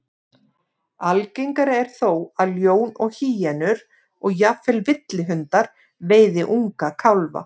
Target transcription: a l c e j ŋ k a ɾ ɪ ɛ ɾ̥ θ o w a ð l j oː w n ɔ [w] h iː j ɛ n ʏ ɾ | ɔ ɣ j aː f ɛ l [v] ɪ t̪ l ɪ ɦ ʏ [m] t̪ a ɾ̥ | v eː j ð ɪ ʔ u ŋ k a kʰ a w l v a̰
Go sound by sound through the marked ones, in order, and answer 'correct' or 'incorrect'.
incorrect: ɣ, correct, incorrect: n

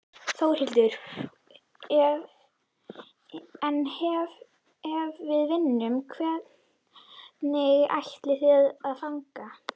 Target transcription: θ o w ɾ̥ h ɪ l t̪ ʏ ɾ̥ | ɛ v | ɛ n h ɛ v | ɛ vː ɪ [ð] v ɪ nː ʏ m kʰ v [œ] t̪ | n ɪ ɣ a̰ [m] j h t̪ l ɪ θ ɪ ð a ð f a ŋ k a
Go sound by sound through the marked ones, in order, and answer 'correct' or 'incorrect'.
correct, incorrect: ɛ, incorrect: none

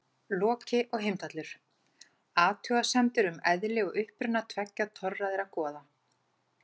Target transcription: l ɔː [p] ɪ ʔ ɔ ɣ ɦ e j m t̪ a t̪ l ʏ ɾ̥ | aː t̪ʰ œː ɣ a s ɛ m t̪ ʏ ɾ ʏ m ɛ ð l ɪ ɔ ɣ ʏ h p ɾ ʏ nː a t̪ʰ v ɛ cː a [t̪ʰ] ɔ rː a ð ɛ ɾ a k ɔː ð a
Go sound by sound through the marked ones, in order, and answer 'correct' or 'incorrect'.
incorrect: c, correct

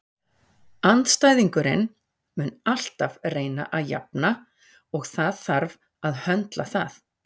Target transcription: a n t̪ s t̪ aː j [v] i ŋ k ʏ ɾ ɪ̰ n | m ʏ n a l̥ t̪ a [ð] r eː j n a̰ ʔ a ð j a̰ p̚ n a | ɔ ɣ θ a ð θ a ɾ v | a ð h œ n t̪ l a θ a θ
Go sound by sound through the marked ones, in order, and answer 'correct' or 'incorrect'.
incorrect: ð, incorrect: v

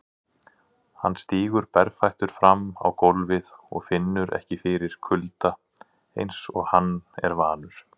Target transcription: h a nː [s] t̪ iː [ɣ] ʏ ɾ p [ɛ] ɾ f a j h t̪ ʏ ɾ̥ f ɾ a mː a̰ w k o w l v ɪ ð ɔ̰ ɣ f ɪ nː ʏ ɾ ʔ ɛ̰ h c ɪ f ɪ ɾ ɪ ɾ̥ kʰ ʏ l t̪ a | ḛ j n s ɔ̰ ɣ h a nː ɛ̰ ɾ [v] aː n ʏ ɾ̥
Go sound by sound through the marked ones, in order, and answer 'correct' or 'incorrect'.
correct, correct, correct, correct

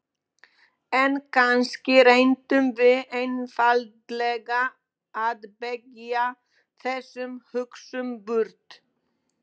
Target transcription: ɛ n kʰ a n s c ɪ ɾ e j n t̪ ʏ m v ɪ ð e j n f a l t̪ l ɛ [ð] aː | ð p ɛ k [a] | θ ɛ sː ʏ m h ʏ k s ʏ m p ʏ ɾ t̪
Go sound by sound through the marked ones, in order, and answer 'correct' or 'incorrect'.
incorrect: ɣ, correct

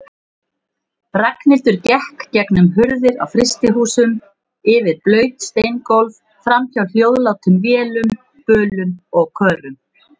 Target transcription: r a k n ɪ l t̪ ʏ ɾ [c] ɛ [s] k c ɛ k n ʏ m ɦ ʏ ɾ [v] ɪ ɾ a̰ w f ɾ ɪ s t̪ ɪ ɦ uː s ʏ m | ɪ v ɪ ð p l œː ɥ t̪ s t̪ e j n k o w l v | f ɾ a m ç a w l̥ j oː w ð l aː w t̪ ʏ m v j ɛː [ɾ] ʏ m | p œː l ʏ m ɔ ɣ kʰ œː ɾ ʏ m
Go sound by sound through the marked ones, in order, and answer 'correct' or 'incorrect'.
correct, incorrect: h, incorrect: ð, incorrect: l

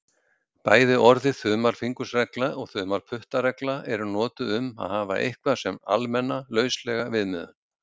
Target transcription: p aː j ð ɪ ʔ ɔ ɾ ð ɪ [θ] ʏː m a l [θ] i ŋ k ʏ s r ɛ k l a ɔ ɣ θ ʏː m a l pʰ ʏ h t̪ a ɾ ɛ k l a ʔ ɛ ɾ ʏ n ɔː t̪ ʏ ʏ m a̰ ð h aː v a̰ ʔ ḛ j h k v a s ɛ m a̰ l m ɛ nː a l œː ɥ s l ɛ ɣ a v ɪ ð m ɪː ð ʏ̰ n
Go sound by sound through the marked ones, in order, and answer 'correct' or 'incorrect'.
correct, incorrect: f

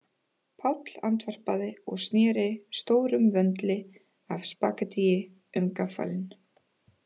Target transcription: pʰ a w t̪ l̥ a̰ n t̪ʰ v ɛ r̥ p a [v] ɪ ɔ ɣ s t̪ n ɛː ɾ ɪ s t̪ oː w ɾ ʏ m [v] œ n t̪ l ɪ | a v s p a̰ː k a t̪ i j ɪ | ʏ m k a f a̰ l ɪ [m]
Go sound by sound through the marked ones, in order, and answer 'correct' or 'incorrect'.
incorrect: ð, correct, incorrect: n

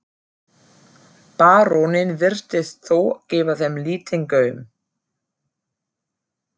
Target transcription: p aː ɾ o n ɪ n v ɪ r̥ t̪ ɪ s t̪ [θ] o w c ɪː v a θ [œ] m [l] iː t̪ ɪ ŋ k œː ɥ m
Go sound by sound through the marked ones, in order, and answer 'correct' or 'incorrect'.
correct, incorrect: ɛ, correct

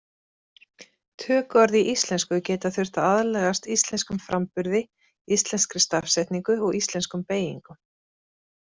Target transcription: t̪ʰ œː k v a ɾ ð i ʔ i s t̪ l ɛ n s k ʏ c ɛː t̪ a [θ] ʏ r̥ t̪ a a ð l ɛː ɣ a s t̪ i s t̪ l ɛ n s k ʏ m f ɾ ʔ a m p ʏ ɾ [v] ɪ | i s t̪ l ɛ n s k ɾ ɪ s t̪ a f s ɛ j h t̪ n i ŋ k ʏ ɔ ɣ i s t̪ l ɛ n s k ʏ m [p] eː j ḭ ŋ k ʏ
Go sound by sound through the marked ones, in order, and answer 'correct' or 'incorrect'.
correct, incorrect: ð, correct

